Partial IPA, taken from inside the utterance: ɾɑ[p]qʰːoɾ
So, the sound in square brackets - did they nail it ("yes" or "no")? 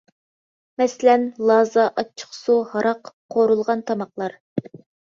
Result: no